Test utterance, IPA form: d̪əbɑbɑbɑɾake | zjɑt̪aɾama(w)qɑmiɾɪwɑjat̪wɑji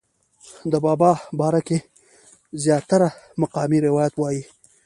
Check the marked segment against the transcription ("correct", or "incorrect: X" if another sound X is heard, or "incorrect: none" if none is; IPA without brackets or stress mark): incorrect: none